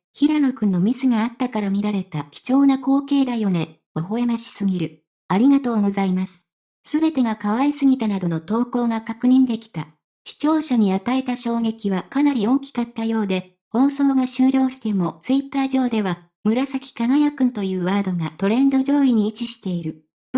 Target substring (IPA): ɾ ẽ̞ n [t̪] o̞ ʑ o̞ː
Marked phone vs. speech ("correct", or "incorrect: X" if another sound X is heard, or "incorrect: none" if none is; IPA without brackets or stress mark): incorrect: d̪